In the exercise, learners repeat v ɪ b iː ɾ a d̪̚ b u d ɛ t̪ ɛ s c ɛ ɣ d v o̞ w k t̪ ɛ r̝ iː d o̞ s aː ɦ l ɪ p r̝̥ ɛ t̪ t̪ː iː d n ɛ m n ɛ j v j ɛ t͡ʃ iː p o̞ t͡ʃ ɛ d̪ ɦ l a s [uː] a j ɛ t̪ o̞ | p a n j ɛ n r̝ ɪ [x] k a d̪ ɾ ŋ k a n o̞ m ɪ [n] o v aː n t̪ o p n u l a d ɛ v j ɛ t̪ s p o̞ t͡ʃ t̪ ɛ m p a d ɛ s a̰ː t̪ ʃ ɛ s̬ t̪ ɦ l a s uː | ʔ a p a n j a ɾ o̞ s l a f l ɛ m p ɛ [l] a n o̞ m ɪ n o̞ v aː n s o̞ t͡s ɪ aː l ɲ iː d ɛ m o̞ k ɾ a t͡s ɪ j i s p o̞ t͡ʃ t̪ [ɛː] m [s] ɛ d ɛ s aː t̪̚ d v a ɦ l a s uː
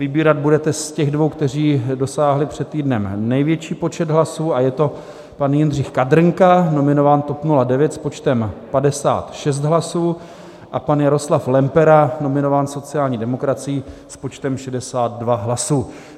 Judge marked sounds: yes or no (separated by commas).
yes, yes, yes, no, no, no